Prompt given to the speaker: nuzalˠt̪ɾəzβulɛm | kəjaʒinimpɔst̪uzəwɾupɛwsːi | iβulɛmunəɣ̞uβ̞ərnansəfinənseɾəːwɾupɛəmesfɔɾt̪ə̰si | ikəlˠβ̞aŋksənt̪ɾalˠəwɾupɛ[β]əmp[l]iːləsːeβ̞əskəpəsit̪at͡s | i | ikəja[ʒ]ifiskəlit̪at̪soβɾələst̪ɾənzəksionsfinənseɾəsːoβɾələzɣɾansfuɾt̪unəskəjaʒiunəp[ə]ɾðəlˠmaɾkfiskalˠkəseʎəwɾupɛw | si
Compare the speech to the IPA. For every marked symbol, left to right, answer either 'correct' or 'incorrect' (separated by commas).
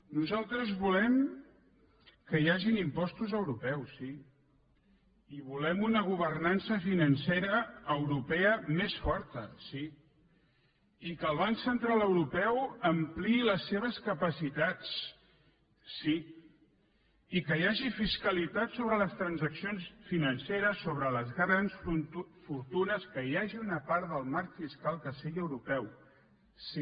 incorrect, correct, correct, incorrect